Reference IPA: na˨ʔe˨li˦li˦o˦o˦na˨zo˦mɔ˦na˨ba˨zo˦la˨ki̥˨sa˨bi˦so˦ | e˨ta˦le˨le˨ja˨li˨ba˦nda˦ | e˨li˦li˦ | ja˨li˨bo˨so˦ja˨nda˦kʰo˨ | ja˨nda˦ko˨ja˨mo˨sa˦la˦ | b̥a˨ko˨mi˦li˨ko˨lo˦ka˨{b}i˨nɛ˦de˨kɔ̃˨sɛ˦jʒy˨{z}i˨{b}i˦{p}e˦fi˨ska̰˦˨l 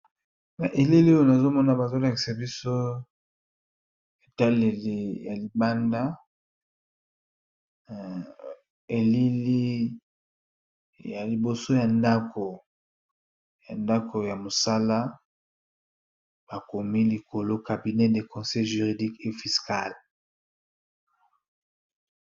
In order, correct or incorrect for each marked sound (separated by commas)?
correct, incorrect, incorrect, incorrect